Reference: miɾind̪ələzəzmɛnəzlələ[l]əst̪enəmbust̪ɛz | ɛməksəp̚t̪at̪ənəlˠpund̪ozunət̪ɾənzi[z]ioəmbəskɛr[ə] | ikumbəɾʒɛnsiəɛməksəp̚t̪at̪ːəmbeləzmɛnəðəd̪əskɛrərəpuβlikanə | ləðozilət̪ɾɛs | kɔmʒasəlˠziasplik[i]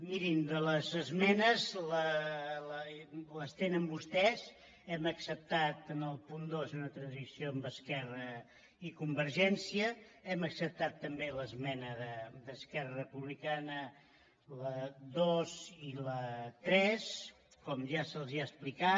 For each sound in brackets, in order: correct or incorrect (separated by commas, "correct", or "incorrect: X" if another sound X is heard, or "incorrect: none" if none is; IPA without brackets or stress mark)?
correct, incorrect: s, correct, incorrect: a